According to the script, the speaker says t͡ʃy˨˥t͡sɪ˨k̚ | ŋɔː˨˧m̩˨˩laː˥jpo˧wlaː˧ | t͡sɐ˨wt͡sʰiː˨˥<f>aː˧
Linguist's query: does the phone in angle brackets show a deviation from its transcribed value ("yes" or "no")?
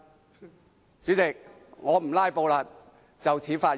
no